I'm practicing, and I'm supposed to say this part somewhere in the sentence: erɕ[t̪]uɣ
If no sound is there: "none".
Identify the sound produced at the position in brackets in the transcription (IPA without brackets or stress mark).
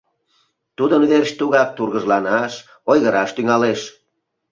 t̪